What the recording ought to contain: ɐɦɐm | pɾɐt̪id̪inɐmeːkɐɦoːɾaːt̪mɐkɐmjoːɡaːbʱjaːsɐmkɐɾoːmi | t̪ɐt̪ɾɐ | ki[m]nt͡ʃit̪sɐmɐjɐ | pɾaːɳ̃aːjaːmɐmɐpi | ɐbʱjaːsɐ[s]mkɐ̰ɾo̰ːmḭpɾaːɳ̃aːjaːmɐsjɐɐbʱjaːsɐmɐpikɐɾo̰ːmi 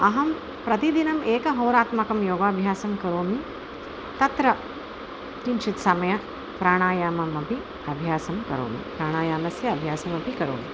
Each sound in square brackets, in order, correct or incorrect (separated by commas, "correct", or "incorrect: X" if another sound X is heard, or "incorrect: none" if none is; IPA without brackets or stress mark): incorrect: none, incorrect: none